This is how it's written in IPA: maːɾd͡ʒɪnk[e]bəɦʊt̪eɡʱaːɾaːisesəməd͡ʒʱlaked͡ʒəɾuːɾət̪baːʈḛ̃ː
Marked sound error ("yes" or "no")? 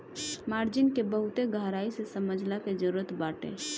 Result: no